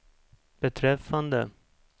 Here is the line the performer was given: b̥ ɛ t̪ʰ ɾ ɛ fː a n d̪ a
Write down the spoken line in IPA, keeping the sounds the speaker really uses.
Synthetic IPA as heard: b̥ ɛ t̪ʰ ɾ ɛ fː a n d̪ ə